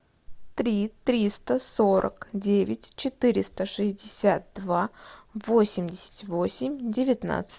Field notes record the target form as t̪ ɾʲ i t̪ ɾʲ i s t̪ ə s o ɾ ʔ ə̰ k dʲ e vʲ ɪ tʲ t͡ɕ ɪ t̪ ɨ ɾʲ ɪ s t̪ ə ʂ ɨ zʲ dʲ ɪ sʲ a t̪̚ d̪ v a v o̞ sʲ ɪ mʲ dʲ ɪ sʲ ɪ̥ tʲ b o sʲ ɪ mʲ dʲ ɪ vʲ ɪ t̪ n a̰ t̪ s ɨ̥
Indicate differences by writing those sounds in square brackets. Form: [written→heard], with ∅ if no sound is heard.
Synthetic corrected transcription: t̪ ɾʲ i t̪ ɾʲ i s t̪ ə s o ɾ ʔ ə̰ k dʲ e vʲ ɪ tʲ t͡ɕ ɪ t̪ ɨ ɾʲ ɪ s t̪ ə ʂ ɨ zʲ dʲ ɪ sʲ a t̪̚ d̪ v a v o̞ sʲ ɪ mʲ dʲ ɪ sʲ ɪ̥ tʲ [b→v] o sʲ ɪ mʲ dʲ ɪ vʲ ɪ t̪ n a̰ t̪ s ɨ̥